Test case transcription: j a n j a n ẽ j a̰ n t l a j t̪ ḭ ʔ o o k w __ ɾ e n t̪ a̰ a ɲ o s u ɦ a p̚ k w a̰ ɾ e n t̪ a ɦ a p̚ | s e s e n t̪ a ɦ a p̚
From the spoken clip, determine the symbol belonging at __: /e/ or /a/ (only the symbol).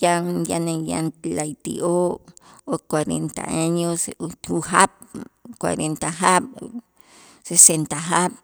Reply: a